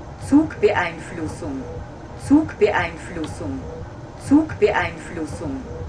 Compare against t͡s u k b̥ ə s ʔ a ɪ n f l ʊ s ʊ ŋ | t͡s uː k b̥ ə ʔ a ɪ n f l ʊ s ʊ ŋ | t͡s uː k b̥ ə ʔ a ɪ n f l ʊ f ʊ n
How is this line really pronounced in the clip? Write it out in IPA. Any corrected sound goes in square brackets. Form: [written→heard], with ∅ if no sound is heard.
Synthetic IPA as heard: t͡s [u→uː] k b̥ ə [s→∅] ʔ a ɪ n f l ʊ s ʊ ŋ | t͡s uː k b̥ ə ʔ a ɪ n f l ʊ s ʊ ŋ | t͡s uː k b̥ ə ʔ a ɪ n f l ʊ [f→s] ʊ [n→ŋ]